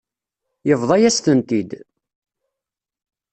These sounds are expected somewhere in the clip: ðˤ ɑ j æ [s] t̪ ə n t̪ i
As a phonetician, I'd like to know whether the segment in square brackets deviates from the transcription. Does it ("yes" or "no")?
no